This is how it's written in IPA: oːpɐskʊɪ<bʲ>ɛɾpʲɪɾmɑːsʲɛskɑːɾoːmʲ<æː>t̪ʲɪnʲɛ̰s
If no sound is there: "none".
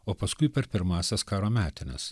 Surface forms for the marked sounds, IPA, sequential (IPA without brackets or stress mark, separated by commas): pʲ, æː